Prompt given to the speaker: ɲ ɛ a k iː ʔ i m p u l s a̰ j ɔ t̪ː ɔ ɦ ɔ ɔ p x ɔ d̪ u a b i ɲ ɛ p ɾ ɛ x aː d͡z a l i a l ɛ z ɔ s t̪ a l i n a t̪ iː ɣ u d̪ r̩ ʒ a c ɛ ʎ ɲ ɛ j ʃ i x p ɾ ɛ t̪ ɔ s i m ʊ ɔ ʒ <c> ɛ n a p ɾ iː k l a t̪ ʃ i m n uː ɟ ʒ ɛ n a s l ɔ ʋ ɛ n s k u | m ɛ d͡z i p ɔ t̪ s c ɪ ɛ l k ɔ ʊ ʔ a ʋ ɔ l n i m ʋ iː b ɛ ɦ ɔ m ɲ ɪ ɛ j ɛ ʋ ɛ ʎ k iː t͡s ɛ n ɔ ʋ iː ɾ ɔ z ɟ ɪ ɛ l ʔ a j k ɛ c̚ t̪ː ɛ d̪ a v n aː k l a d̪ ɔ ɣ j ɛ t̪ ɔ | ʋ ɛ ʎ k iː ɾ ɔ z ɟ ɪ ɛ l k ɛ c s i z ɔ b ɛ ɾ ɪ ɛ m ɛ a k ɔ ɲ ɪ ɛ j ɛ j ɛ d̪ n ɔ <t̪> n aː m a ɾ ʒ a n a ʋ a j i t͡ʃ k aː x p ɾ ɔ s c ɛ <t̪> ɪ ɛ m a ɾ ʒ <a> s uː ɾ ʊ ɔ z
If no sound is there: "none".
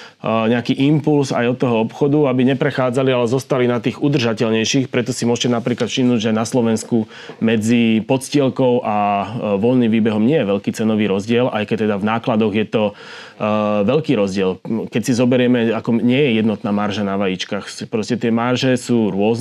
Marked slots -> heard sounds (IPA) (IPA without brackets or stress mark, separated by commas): c, t̪, t̪, ɛ